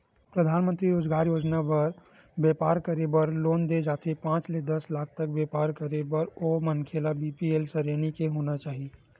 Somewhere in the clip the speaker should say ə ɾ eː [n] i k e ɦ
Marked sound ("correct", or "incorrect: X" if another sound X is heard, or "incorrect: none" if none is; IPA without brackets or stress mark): correct